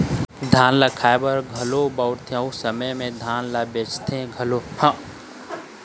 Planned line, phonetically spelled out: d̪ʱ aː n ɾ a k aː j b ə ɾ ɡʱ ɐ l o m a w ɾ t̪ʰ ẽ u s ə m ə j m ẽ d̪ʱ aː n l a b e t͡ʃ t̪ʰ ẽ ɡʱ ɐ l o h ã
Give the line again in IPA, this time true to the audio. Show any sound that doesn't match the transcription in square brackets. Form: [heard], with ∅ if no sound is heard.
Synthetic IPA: d̪ʱ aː n [l] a [kʰ] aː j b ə ɾ ɡʱ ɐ l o [b] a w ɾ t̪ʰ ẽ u s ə m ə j m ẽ d̪ʱ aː n l a b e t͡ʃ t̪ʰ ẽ ɡʱ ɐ l o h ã